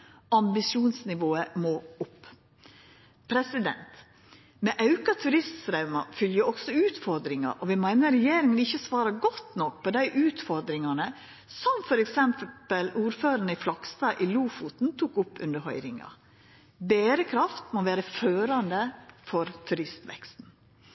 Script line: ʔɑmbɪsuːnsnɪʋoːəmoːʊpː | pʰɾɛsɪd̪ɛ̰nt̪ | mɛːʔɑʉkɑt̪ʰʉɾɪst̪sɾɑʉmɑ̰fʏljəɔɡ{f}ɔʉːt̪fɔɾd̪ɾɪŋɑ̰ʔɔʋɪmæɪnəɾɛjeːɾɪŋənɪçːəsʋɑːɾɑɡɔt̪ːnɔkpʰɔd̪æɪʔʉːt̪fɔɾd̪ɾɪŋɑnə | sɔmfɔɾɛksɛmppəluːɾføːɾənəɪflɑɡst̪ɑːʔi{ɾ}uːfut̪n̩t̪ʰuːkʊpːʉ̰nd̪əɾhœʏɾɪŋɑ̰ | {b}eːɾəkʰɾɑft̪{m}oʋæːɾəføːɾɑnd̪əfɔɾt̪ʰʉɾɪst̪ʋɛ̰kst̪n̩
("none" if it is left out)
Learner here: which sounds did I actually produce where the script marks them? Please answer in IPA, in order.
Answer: s, l, b, m

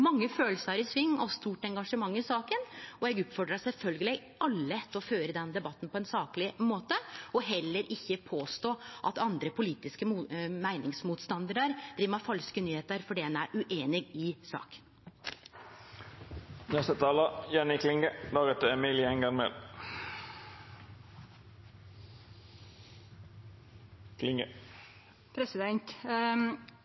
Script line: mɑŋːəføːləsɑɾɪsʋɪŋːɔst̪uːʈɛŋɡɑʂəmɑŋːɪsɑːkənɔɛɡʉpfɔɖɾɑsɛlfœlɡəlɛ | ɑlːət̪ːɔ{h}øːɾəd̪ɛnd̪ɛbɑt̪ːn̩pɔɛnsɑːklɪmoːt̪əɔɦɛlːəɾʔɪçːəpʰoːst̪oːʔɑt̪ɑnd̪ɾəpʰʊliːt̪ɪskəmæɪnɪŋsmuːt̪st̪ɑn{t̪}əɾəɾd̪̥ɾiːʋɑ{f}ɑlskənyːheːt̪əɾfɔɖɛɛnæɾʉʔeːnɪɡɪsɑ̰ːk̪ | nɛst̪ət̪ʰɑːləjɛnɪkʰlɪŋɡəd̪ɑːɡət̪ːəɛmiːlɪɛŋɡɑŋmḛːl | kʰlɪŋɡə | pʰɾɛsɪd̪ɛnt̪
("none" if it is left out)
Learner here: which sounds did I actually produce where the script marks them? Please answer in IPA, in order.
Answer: f, d̪, f

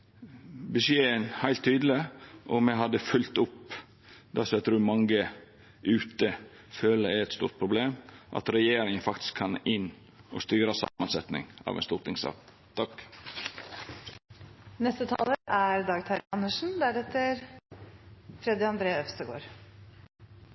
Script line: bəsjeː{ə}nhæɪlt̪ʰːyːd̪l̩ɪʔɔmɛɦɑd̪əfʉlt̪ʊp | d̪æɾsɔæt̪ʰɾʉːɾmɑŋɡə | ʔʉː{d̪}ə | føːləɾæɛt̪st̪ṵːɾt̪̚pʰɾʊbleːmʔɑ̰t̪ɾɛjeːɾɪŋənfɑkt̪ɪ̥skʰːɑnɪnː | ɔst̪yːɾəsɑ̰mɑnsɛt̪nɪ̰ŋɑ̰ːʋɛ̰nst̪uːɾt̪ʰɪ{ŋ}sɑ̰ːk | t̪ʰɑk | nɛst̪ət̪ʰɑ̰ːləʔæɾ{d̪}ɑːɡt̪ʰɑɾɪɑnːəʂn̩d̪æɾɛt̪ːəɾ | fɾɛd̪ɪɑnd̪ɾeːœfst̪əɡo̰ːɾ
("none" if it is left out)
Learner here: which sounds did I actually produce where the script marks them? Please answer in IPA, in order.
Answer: ə, t̪, ŋ, d̪

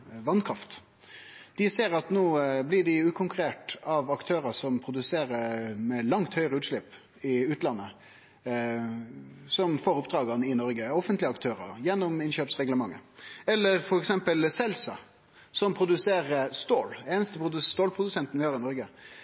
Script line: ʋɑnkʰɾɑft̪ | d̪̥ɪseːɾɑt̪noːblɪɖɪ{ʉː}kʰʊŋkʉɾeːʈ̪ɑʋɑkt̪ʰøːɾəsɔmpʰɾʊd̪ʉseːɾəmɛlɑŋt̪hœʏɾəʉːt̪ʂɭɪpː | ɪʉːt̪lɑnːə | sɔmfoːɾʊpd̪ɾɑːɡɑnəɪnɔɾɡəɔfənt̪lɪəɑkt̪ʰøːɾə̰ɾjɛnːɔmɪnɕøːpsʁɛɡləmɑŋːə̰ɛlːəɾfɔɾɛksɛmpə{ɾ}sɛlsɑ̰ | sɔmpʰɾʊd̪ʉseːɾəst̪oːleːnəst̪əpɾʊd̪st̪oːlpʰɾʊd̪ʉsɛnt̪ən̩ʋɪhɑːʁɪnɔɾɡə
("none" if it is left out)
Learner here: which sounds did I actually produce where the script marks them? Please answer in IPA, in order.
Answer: ʉː, l

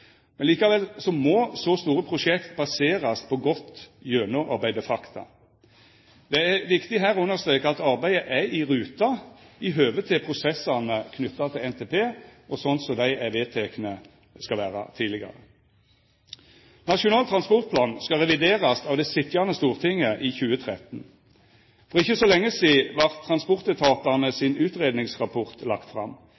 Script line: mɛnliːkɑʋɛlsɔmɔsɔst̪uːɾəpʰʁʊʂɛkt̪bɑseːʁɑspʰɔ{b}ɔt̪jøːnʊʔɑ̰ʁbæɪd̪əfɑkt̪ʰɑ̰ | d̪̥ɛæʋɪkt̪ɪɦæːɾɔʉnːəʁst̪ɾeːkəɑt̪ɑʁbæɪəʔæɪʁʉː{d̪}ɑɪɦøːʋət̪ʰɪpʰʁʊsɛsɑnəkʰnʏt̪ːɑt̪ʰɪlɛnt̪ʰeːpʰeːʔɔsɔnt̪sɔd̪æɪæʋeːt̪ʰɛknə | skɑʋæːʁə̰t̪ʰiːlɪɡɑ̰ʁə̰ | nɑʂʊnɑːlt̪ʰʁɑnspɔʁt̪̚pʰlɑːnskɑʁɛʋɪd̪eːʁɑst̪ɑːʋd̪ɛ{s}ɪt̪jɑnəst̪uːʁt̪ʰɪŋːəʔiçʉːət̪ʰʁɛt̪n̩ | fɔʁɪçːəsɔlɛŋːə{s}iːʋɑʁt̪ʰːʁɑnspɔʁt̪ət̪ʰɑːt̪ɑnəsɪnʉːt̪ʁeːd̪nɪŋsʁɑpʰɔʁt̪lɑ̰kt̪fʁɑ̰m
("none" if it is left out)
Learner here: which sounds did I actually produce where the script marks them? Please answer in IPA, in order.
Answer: ɡ, t̪, s, s

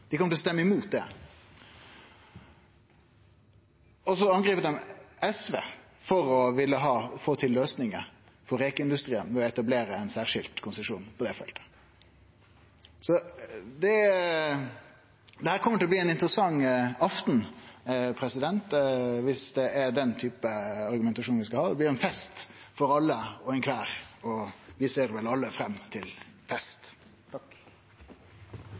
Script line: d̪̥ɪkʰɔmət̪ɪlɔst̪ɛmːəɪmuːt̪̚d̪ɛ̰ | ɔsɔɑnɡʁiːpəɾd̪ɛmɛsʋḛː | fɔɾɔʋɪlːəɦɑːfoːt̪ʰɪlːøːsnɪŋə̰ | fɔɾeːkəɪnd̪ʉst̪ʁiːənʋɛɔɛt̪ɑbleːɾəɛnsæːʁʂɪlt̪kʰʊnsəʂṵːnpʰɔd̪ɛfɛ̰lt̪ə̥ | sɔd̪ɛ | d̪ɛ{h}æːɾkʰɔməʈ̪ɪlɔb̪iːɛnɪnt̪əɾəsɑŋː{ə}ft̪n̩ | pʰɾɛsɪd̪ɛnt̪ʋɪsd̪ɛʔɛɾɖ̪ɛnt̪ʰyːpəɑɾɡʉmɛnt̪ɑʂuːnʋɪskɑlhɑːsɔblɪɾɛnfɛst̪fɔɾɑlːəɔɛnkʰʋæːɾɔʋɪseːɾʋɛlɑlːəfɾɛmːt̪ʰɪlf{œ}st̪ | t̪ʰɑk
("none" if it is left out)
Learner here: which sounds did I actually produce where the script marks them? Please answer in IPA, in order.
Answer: h, ɑ, ɛ

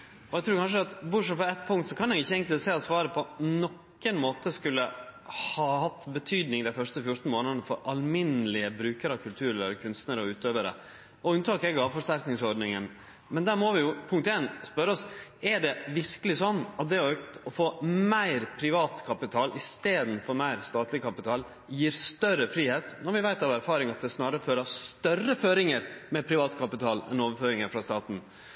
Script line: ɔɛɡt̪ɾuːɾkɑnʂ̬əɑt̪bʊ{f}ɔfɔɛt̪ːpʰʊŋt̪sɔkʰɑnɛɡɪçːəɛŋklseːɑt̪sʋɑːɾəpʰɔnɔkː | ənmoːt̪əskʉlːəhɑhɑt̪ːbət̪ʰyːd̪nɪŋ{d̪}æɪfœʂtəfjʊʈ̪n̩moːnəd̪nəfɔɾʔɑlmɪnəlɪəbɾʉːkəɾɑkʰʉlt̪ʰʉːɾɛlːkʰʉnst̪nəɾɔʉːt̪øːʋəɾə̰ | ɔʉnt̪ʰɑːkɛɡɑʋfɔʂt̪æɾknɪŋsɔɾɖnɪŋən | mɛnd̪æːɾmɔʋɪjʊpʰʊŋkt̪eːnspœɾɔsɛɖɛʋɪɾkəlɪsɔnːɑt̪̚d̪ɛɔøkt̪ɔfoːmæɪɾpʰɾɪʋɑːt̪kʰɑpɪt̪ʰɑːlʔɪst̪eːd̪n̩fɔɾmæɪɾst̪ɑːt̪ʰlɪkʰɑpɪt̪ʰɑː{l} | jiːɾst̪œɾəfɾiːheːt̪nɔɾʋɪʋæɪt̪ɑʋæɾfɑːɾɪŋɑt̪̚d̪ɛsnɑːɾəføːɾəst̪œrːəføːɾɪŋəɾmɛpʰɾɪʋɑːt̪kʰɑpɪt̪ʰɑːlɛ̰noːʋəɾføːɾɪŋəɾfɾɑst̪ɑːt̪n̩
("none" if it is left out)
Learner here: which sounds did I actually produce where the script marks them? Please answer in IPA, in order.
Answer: ʂ, d̪, l

